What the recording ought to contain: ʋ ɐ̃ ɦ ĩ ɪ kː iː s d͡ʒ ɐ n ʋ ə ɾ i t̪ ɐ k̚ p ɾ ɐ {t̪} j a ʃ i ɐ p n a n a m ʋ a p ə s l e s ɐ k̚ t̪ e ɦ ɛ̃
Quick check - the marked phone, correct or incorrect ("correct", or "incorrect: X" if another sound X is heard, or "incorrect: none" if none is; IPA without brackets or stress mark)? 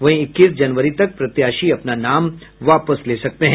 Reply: correct